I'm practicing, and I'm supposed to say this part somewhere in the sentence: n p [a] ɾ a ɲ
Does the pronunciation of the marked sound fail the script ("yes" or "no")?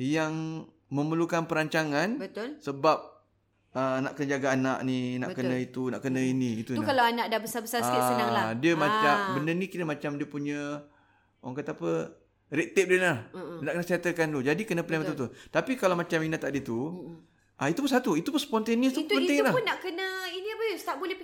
yes